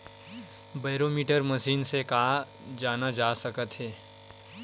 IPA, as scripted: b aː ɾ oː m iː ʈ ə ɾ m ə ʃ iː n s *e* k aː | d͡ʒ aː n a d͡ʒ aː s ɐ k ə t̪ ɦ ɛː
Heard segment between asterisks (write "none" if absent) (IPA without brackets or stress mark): e